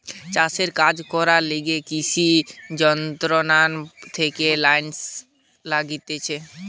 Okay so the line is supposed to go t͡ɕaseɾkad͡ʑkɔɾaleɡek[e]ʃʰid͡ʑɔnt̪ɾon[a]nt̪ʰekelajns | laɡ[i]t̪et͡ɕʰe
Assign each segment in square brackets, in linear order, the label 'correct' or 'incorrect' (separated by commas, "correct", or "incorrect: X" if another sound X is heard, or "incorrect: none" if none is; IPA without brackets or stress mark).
incorrect: i, correct, correct